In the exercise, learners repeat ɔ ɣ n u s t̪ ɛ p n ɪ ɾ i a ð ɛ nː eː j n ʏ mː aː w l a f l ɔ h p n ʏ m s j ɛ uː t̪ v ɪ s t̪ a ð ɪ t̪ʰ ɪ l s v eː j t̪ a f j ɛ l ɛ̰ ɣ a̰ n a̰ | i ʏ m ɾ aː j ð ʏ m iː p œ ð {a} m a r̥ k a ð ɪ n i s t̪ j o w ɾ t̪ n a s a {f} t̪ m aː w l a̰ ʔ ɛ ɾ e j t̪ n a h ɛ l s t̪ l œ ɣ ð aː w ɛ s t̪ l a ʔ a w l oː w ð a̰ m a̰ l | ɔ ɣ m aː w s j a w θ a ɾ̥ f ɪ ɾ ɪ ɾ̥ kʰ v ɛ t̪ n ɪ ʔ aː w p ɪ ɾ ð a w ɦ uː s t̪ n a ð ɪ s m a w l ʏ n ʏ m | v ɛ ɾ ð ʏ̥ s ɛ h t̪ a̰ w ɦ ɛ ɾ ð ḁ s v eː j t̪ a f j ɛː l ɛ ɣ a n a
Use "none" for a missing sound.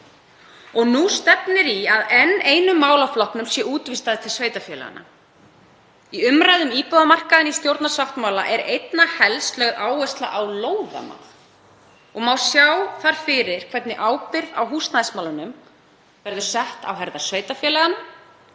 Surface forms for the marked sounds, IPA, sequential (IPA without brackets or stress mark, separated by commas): a, f